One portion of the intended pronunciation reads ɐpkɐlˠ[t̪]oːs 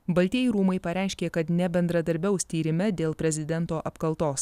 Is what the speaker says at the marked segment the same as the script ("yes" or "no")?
yes